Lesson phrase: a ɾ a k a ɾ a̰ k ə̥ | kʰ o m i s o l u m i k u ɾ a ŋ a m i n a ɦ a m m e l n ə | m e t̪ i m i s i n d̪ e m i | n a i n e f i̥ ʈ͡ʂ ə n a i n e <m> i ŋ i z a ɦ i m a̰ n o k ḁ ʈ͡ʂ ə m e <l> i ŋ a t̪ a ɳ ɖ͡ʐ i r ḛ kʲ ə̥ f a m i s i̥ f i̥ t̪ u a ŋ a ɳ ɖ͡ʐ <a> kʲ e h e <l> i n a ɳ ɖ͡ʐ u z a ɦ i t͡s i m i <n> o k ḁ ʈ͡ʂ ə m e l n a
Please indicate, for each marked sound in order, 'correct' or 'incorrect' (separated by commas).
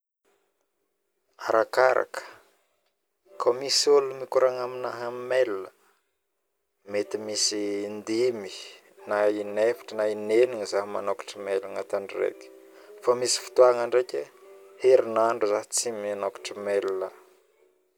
incorrect, correct, incorrect, incorrect, correct